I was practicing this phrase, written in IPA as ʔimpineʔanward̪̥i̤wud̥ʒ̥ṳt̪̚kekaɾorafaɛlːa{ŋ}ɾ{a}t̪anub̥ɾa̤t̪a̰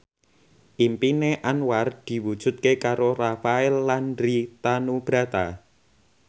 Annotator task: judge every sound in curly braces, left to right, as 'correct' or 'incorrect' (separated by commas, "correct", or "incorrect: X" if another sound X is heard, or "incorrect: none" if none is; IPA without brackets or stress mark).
incorrect: n, incorrect: i